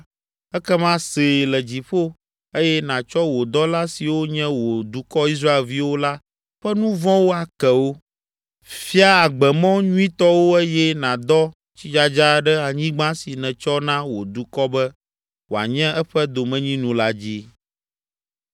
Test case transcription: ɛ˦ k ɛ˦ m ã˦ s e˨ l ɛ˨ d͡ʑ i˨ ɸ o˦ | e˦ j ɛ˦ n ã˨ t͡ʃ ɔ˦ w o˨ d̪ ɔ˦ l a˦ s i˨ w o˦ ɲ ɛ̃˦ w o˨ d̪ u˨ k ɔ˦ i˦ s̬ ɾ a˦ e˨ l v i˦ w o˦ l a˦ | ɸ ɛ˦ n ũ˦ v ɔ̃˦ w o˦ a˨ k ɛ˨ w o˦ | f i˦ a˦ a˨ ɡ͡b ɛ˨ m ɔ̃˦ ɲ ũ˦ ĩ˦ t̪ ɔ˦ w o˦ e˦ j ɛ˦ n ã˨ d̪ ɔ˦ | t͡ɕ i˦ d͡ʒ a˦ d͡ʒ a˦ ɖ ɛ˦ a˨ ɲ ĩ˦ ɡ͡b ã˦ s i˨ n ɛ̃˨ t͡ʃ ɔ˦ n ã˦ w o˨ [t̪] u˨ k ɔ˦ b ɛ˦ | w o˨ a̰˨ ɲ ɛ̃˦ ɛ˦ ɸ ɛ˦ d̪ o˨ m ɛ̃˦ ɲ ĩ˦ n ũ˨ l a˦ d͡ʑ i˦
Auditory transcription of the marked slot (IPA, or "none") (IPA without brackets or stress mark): d̪